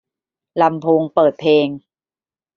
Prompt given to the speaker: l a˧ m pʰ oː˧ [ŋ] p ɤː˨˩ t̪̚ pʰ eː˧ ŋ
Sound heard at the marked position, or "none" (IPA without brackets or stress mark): ŋ